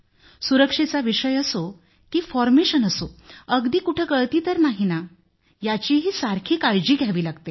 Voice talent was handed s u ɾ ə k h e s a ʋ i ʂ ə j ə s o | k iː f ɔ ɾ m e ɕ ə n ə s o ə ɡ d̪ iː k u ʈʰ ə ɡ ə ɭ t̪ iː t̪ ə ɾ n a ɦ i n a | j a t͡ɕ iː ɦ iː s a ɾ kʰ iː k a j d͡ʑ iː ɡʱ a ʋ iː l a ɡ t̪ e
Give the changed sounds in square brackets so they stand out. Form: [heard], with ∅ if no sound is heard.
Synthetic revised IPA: s u ɾ ə k [ʂ] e [t͡s] a ʋ i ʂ ə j ə s o | k iː f ɔ ɾ m e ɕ ə n ə s o ə ɡ d̪ iː k u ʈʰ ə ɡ ə ɭ t̪ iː t̪ ə ɾ n a ɦ i n a | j a t͡ɕ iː ɦ iː s a ɾ kʰ iː k a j d͡ʑ iː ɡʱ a ʋ iː l a ɡ t̪ e